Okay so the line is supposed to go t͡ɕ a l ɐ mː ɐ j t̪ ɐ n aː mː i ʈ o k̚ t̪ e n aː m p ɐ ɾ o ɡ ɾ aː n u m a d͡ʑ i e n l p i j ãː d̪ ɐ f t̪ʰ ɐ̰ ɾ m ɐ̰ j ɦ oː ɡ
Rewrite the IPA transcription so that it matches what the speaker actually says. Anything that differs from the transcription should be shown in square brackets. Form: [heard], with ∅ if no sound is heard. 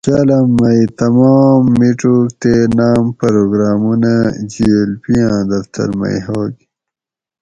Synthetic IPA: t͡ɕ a l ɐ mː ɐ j t̪ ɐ [m] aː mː i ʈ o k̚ t̪ e n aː m p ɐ ɾ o ɡ ɾ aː [m] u [n] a d͡ʑ i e [∅] l p i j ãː d̪ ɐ f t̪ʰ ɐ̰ ɾ m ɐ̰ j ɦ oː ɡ